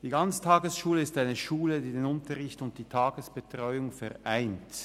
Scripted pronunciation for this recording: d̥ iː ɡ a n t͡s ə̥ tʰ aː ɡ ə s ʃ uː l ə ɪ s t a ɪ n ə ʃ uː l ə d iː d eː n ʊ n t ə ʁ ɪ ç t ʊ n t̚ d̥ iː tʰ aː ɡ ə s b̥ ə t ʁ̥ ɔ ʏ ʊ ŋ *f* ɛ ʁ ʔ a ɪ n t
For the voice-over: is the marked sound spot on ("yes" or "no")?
yes